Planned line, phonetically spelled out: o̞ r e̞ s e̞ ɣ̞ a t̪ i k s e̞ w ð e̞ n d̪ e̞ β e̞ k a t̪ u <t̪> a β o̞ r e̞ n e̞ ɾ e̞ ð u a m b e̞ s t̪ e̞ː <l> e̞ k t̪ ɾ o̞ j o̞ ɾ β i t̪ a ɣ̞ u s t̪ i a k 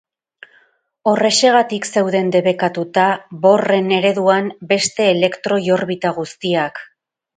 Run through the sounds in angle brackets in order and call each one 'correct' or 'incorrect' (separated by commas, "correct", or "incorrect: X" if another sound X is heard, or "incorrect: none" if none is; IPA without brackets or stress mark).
correct, correct